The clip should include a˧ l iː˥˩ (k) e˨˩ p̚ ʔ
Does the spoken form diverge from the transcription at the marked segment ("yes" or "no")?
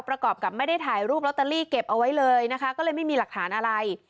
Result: no